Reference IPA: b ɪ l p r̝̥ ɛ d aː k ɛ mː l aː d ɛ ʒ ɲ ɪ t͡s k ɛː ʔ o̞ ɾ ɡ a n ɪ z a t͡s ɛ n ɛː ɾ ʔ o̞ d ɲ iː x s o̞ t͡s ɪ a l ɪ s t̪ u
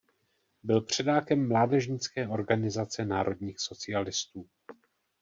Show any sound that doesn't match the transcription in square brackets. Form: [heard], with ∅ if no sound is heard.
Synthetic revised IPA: b ɪ l p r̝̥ ɛ d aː k ɛ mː l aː d ɛ ʒ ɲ ɪ t͡s k ɛː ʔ o̞ ɾ ɡ a n ɪ z a t͡s ɛ n [aː] ɾ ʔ o̞ d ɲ iː x s o̞ t͡s ɪ a l ɪ s t̪ [uː]

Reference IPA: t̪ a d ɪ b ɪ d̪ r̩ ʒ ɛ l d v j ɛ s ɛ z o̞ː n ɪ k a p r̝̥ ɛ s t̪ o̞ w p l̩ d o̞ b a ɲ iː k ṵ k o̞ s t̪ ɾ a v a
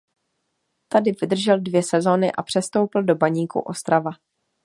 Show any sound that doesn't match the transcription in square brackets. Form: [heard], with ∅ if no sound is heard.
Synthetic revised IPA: t̪ a d ɪ [v] ɪ d̪ r̩ ʒ ɛ l d v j ɛ s ɛ z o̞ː n ɪ [ʔ] a p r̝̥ ɛ s t̪ o̞ w p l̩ d o̞ b a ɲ iː k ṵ [ʔ] o̞ s t̪ ɾ a v a

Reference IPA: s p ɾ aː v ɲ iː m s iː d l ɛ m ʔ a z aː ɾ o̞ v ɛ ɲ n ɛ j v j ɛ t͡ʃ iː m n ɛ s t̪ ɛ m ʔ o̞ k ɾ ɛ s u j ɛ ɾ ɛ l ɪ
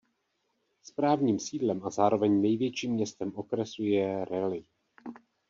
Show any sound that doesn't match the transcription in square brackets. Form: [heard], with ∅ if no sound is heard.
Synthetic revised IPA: s p ɾ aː v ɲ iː m s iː d l ɛ m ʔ a z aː ɾ o̞ v ɛ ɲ n ɛ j v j ɛ t͡ʃ iː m [ɲ] ɛ s t̪ ɛ m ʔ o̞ k ɾ ɛ s u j ɛ ɾ ɛ l ɪ

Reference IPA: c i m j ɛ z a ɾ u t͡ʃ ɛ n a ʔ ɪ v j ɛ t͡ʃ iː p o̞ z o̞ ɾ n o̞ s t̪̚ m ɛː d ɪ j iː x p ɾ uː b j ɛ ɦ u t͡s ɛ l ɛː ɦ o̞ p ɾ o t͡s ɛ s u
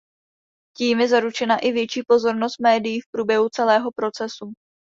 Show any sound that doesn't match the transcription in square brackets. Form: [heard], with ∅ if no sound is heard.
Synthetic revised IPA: c [iː] m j ɛ z a ɾ u t͡ʃ ɛ n a ʔ ɪ v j ɛ t͡ʃ iː p o̞ z o̞ ɾ n o̞ s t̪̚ m ɛː d ɪ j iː [f] p ɾ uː b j ɛ ɦ u t͡s ɛ l ɛː ɦ o̞ p ɾ o t͡s ɛ s u

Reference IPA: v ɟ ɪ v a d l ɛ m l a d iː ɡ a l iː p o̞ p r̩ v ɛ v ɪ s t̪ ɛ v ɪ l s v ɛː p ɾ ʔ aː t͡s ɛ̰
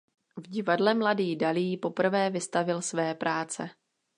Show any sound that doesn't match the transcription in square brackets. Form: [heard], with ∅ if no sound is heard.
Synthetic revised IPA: v ɟ ɪ v a d l ɛ m l a d iː [d] a l iː p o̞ p r̩ v [ɛː] v ɪ s t̪ [a] v ɪ l s v ɛː p ɾ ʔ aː t͡s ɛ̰

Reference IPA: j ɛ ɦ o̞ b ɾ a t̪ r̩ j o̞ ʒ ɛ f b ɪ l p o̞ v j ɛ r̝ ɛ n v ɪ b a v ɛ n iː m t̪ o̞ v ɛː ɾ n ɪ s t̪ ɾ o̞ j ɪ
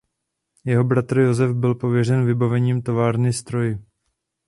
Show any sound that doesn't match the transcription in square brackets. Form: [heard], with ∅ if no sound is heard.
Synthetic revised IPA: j ɛ ɦ o̞ b ɾ a t̪ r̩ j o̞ [z] ɛ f b ɪ l p o̞ v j ɛ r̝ ɛ n v ɪ b a v ɛ [ɲ] iː m t̪ o̞ v [aː] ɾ n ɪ s t̪ ɾ o̞ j ɪ

